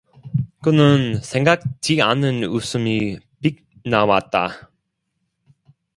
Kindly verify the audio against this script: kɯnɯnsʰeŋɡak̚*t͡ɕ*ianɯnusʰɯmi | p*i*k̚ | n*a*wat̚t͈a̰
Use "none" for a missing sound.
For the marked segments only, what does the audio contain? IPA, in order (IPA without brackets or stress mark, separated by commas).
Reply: t͡ɕ, i, a